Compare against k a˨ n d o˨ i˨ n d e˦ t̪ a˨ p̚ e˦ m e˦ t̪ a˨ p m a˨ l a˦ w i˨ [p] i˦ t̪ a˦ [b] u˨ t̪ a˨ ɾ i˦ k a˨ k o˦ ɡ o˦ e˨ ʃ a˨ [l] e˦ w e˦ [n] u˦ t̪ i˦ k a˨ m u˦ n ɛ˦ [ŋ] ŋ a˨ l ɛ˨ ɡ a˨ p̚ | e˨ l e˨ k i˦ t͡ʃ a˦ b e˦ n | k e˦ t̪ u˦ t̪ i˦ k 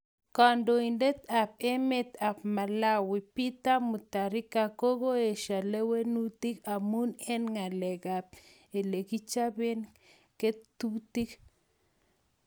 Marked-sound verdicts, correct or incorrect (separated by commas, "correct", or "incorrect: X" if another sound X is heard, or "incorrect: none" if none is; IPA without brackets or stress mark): correct, incorrect: m, correct, correct, incorrect: n